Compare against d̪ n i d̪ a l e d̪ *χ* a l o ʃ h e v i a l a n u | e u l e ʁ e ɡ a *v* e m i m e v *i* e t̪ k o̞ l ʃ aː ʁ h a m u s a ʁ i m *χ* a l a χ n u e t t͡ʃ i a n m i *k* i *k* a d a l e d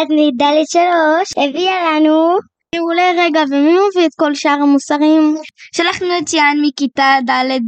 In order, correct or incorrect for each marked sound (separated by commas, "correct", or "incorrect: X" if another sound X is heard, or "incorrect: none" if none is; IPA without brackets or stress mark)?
incorrect: ʃ, correct, correct, incorrect: ʃ, correct, incorrect: t